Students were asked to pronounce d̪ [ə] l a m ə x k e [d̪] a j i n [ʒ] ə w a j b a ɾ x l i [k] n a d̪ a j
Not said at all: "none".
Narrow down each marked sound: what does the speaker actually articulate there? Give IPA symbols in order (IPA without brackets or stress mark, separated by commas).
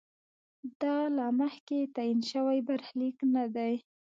ɑ, t̪, ʃ, k